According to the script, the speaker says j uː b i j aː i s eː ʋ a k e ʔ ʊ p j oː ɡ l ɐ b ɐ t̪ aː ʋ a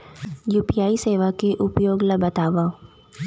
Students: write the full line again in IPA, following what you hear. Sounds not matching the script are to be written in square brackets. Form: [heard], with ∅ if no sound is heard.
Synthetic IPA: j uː [p] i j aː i s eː ʋ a k e ʔ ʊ p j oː ɡ l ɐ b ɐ t̪ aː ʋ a